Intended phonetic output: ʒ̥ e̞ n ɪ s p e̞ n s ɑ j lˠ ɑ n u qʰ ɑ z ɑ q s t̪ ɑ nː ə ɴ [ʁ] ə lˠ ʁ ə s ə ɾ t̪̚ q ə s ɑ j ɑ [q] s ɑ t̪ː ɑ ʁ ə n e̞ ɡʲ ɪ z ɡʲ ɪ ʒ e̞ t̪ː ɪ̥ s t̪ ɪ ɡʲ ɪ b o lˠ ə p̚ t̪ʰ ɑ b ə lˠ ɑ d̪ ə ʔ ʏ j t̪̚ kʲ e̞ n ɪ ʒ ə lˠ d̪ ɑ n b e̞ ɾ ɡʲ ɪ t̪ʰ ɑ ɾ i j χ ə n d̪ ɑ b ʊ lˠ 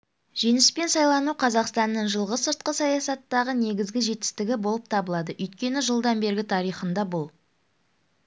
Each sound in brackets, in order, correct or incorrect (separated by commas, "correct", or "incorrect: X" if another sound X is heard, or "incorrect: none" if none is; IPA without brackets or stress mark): incorrect: ʒ, incorrect: none